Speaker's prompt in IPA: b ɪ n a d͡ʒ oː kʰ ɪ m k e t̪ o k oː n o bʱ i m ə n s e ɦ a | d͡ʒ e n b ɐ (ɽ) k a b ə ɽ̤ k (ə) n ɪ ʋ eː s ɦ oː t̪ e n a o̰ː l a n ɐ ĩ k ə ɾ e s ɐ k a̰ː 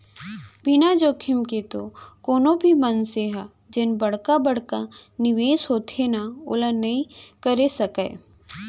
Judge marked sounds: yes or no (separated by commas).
yes, no